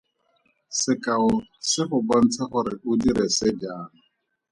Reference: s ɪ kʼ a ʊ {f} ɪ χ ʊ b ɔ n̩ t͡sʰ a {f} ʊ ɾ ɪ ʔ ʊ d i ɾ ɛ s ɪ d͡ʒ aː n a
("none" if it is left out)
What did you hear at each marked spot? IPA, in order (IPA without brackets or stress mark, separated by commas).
s, χ